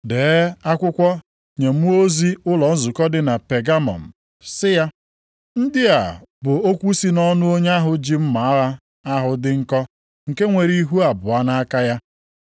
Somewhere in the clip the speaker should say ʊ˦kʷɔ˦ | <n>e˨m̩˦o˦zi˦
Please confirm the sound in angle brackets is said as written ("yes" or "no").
no